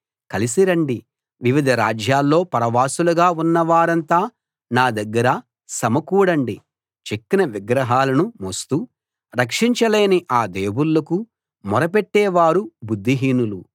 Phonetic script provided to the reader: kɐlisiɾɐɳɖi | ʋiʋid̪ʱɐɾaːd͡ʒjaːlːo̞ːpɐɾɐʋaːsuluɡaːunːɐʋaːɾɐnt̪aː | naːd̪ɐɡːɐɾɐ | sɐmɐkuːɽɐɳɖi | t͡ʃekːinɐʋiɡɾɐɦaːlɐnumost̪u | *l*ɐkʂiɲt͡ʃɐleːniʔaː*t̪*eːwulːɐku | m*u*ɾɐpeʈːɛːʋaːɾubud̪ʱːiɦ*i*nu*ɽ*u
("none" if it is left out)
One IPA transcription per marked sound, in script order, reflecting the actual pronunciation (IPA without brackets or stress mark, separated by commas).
ɾ, d̪, ɔ, iː, l